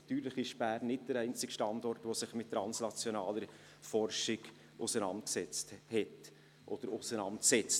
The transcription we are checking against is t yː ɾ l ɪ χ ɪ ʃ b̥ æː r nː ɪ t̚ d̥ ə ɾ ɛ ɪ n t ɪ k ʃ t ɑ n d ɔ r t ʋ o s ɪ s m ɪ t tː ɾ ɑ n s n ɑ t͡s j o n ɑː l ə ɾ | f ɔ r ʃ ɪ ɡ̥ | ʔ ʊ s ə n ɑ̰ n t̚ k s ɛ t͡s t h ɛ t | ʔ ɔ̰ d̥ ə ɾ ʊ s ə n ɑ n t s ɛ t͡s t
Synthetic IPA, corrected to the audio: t yː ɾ l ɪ χ ɪ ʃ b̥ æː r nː ɪ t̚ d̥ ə ɾ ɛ ɪ n t͡s ɪ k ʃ t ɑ n d ɔ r t ʋ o s ɪ χ m ɪ t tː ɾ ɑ n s n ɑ t͡s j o n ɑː l ə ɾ | f ɔ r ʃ ɪ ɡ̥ | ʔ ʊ s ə n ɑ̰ n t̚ k s ɛ t͡s t h ɛ t | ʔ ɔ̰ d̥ ə ɾ ʊ s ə n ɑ n t s ɛ t͡s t